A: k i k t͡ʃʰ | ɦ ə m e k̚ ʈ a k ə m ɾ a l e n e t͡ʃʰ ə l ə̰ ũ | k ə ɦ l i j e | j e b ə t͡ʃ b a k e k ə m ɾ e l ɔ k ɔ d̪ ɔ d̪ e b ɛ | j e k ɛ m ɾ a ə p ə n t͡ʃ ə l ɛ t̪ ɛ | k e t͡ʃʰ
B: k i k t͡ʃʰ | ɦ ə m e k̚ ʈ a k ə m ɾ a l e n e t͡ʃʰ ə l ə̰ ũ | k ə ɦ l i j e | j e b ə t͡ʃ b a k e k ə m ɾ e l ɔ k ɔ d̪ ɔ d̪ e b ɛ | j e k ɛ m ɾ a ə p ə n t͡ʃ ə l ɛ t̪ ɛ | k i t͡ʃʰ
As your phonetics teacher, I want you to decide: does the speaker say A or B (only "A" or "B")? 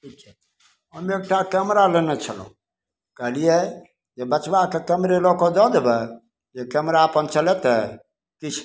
B